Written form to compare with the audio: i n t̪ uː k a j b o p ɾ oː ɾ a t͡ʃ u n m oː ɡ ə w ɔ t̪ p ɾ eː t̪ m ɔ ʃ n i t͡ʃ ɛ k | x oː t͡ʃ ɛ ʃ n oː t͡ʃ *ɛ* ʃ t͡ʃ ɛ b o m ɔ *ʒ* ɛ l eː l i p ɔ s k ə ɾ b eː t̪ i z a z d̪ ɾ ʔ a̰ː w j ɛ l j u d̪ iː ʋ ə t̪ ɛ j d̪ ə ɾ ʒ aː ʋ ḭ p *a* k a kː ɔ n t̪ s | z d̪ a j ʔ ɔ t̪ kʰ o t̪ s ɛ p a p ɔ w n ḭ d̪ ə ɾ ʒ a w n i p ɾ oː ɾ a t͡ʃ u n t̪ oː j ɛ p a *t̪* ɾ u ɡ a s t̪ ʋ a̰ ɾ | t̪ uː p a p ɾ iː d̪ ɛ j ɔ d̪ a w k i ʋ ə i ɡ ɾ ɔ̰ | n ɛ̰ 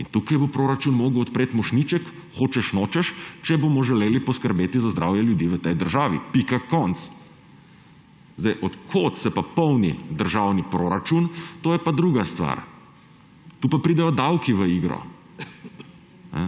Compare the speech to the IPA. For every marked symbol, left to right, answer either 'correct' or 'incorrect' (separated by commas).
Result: correct, correct, incorrect, incorrect